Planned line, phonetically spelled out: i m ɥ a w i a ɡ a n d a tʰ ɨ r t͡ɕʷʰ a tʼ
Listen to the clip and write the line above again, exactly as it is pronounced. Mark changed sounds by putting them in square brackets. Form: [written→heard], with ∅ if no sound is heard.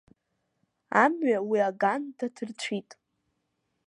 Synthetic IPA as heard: [i→a] m ɥ a w i a ɡ a n d a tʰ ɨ r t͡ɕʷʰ [a→i] tʼ